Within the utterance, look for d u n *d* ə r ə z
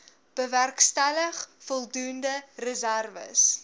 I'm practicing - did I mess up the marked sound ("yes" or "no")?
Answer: no